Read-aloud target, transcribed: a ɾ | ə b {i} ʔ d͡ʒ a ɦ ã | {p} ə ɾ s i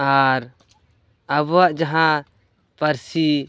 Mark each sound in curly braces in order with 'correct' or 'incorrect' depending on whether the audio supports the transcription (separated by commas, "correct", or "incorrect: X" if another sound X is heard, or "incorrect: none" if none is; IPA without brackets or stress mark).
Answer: incorrect: a, correct